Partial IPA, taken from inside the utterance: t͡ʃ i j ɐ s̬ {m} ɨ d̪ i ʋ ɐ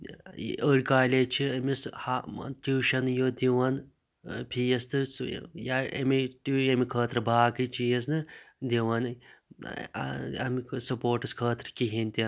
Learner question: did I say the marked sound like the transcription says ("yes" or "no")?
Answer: no